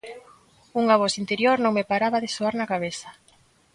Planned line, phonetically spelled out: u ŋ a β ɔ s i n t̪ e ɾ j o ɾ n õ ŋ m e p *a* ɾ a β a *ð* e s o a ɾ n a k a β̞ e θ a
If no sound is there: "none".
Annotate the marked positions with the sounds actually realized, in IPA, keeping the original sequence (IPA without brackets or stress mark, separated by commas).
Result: a, ð